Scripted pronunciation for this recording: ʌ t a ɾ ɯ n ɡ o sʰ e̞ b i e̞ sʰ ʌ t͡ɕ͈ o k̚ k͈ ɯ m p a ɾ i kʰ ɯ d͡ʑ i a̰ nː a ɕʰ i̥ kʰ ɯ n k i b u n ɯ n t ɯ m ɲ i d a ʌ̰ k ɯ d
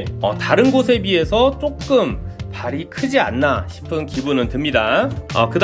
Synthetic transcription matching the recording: ʌ t a ɾ ɯ n ɡ o sʰ e̞ b i e̞ sʰ ʌ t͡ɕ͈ o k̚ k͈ ɯ m p a ɾ i kʰ ɯ d͡ʑ i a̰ nː a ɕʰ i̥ pʰ ɯ n k i b u n ɯ n t ɯ m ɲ i d a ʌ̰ k ɯ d